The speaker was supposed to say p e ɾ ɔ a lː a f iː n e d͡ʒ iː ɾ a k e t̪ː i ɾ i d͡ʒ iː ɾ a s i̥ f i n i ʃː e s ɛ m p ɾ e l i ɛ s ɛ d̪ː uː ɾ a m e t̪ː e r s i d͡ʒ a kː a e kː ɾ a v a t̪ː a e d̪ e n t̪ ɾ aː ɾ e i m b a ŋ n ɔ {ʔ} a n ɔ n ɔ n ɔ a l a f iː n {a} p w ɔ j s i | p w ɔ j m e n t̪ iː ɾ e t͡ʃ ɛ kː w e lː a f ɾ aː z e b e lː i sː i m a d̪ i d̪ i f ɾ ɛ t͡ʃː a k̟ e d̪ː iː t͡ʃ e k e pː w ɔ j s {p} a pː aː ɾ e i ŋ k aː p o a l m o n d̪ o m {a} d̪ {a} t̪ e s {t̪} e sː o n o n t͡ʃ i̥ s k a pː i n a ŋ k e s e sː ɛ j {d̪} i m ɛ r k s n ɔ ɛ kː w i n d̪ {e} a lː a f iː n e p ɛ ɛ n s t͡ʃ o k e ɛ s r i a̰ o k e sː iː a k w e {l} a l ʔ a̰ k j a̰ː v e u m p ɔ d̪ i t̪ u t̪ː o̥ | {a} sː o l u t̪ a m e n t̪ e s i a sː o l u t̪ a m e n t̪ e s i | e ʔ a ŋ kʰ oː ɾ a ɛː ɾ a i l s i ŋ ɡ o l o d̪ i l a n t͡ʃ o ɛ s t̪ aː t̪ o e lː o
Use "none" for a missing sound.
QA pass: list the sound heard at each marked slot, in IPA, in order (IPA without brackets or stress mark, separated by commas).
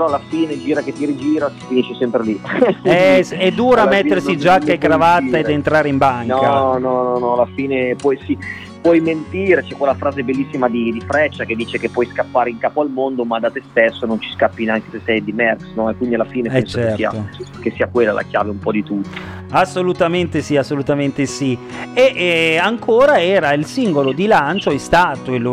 k, e, k, a, a, t̪, d̪, i, lː, a